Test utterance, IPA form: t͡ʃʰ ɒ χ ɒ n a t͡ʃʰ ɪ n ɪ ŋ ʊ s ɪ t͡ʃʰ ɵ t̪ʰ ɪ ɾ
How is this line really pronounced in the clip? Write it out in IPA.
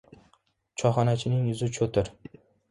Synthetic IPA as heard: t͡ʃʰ ɒ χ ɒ n a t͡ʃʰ ɪ n ɪ ŋ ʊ z ɪ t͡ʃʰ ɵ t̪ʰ ɪ ɾ